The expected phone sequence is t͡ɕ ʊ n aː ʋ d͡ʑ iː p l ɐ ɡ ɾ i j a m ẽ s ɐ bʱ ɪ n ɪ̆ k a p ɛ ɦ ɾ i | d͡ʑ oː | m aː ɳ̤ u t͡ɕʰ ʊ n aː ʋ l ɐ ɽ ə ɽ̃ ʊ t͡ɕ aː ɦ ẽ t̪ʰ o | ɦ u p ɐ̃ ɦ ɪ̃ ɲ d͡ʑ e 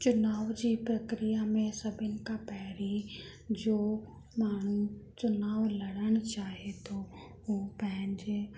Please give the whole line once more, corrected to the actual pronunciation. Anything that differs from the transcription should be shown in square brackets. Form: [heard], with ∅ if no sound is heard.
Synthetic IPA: t͡ɕ ʊ n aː ʋ d͡ʑ iː p [ɾ] ɐ [k] ɾ i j a m ẽ s ɐ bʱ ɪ n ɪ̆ k a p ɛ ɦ ɾ i | d͡ʑ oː | m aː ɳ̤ u [t͡ɕ] ʊ n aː ʋ l ɐ ɽ ə ɽ̃ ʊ t͡ɕ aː ɦ [e] t̪ʰ o | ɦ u p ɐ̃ ɦ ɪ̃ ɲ d͡ʑ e